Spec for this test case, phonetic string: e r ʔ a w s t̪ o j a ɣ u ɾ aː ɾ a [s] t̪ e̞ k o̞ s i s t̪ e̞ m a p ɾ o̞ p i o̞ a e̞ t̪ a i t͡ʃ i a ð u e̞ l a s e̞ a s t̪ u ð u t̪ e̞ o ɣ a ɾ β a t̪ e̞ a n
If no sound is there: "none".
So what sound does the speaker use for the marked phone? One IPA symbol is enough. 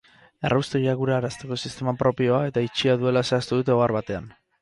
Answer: s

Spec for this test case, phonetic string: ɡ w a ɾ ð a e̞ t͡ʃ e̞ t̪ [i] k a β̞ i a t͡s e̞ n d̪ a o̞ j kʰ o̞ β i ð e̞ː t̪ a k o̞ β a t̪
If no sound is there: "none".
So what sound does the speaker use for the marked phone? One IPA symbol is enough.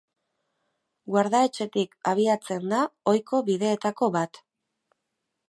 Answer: i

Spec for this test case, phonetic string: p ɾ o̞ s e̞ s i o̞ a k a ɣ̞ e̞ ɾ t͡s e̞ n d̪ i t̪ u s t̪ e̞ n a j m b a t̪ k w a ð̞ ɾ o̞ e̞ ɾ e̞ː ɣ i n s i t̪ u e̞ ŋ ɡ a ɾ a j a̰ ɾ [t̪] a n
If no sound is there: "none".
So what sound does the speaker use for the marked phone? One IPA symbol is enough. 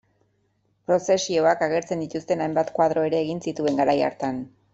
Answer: t̪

